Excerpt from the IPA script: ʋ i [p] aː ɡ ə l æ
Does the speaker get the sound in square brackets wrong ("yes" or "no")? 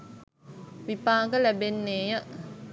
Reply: no